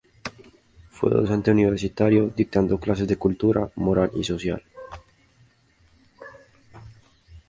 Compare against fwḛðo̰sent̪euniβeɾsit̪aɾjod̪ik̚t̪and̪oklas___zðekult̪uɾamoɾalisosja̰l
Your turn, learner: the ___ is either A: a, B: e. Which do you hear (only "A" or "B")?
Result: B